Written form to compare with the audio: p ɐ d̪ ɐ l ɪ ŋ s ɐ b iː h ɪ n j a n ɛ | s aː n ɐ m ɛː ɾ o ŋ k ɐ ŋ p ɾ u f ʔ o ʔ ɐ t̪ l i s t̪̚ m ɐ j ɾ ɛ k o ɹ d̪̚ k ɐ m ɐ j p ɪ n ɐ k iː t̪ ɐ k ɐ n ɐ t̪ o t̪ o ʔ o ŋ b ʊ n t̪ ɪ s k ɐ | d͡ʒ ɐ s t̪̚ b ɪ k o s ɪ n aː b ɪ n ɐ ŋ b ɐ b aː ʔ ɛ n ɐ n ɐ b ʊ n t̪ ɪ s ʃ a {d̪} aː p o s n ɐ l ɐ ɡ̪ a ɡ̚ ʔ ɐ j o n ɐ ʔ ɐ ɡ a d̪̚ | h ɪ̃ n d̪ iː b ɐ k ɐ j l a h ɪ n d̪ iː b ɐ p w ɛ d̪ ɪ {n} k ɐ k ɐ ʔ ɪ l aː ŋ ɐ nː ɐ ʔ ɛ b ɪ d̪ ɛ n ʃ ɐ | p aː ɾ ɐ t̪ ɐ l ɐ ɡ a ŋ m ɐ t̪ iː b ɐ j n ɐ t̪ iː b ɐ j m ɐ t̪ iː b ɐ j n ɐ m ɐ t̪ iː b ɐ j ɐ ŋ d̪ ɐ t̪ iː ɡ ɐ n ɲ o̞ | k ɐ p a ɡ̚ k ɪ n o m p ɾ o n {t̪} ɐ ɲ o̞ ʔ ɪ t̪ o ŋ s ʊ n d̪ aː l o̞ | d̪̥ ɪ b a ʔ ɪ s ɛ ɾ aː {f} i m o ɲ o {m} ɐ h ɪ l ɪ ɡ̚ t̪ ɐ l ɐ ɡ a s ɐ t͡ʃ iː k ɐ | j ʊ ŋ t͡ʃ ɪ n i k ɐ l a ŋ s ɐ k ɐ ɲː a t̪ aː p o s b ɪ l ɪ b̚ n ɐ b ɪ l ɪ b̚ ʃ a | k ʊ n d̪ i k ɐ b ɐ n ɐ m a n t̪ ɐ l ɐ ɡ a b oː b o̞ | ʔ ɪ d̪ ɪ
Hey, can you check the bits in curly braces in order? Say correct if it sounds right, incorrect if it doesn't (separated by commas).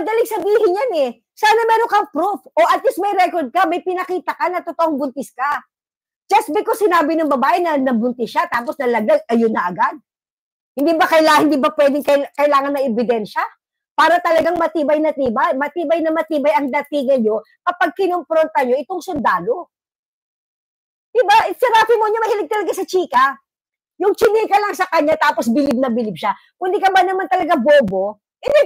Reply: incorrect, incorrect, correct, correct, correct